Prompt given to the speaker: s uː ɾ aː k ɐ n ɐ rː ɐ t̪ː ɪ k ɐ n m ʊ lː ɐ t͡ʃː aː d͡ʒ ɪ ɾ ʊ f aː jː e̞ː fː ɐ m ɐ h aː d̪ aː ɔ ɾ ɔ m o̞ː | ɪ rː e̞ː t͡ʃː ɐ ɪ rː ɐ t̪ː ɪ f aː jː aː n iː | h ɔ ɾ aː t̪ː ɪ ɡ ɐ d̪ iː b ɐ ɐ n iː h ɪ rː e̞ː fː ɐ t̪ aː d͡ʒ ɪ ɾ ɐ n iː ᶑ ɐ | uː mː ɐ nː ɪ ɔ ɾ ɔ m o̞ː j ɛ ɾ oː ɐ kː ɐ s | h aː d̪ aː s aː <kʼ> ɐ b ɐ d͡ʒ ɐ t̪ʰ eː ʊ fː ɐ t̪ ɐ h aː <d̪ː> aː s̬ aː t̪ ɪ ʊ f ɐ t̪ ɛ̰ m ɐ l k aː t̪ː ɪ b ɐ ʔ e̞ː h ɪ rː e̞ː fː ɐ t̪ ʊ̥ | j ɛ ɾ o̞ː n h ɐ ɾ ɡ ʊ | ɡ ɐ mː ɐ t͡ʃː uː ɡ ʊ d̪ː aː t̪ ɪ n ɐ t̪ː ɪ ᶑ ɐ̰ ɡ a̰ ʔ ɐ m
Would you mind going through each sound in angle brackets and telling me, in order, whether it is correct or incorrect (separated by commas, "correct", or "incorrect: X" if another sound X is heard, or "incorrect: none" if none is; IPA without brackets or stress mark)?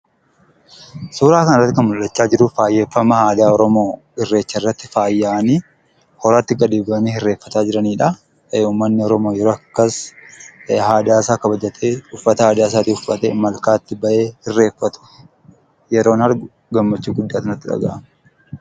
incorrect: k, incorrect: d̪